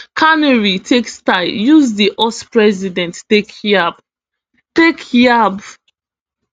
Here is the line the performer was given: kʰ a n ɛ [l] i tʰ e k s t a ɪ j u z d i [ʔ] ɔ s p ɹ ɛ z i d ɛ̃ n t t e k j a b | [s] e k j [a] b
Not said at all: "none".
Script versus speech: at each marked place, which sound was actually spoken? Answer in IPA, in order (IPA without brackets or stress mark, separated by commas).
ɹ, ʔ, t, a